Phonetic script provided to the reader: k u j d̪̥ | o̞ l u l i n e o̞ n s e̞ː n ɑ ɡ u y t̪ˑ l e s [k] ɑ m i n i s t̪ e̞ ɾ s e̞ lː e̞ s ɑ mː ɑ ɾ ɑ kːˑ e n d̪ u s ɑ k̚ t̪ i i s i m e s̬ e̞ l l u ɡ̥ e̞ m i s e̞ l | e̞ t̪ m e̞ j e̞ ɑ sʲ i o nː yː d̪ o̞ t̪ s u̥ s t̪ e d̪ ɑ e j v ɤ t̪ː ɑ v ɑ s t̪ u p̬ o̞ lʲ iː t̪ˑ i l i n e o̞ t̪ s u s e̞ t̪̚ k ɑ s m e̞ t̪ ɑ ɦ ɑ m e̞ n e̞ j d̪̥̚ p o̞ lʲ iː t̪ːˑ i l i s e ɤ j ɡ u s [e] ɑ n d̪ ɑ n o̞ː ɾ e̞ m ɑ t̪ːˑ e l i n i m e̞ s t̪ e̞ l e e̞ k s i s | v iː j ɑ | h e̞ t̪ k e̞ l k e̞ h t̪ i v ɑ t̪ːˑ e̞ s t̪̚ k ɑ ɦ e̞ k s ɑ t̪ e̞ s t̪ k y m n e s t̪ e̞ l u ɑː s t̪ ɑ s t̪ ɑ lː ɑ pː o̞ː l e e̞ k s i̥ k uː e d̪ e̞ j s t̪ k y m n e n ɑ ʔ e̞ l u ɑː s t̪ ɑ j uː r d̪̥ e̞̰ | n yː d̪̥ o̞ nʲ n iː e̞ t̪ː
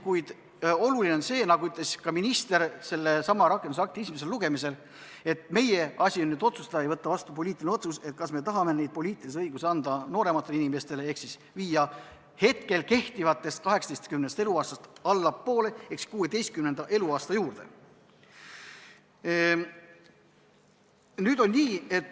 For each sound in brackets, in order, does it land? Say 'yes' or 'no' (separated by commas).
yes, yes